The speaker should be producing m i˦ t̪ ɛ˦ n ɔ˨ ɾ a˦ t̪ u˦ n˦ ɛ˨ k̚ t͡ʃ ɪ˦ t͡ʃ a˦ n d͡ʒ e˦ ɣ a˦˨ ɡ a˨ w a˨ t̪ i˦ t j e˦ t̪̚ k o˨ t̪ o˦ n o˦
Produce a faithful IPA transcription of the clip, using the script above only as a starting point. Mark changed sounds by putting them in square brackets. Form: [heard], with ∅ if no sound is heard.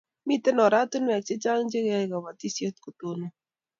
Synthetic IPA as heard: m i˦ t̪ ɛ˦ n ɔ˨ ɾ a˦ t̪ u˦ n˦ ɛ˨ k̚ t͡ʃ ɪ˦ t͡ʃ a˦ [ŋ] d͡ʒ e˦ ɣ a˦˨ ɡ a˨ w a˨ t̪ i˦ [s] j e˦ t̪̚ k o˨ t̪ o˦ n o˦